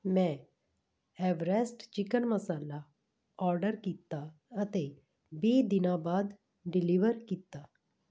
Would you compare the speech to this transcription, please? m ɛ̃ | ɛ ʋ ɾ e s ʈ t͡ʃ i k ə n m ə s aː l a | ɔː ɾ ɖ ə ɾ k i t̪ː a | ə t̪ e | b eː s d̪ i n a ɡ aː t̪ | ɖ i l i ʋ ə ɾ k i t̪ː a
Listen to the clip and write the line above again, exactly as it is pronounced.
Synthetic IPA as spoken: m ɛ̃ | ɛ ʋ ɾ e s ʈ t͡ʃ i k ə n m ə s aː l a | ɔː ɾ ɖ ə ɾ k i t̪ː a | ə t̪ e | b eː d̪ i n a b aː d̪ | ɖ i l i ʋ ə ɾ k i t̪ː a